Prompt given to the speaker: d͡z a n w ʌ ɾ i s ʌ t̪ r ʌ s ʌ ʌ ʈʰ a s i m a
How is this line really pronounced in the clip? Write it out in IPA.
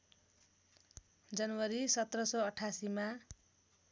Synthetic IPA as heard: d͡z ʌ n w ʌ ɾ i s ʌ t̪ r ʌ s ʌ ʌ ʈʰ a s i m a